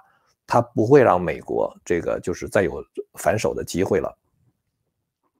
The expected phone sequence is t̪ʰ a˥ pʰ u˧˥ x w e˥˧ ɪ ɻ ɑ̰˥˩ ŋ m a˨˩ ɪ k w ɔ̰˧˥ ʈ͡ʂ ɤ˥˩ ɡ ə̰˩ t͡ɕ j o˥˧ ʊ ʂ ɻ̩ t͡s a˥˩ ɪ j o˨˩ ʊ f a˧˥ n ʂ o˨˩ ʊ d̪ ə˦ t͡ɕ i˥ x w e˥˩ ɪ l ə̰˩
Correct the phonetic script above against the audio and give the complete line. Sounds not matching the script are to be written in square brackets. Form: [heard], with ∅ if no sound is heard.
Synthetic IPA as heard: t̪ʰ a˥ [p] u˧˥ x w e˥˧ ɪ ɻ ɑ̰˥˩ ŋ m [e˨˩] ɪ k w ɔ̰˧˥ ʈ͡ʂ ɤ˥˩ ɡ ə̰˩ t͡ɕ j o˥˧ ʊ ʂ ɻ̩ t͡s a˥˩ ɪ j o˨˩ ʊ f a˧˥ n ʂ o˨˩ ʊ d̪ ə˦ t͡ɕ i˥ x w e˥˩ ɪ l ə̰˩